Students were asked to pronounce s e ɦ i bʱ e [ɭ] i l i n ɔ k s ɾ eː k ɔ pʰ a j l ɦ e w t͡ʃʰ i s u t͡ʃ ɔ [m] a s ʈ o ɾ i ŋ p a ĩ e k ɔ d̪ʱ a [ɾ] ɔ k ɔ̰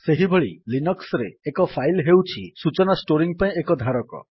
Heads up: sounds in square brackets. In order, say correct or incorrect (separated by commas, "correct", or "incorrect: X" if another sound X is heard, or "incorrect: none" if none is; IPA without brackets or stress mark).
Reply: correct, incorrect: n, correct